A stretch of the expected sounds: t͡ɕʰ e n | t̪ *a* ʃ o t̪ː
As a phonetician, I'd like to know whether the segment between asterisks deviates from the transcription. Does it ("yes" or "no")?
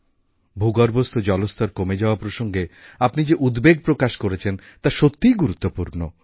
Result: no